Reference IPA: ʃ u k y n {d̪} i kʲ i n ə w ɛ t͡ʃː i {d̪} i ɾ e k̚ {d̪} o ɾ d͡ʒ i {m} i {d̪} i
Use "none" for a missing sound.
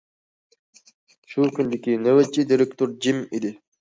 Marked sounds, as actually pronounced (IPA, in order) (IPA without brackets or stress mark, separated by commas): d̪, d̪, t̪, m, d̪